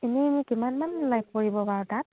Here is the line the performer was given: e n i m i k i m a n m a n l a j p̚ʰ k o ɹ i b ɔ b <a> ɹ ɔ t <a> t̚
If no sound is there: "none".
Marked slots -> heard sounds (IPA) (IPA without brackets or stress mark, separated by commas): a, a